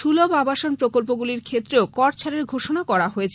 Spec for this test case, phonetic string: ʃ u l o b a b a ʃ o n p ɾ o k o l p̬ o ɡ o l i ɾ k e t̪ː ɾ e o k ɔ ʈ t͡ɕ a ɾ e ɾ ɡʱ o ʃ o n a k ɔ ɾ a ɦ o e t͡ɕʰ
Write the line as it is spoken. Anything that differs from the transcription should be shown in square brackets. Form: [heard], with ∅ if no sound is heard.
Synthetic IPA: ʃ u l o b a b a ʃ o n p ɾ o k o l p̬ o ɡ [u] l i ɾ [kʰ] e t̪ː ɾ e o k ɔ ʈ [t͡ɕʰ] a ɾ e ɾ ɡʱ o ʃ o n a k ɔ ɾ a ɦ o e t͡ɕʰ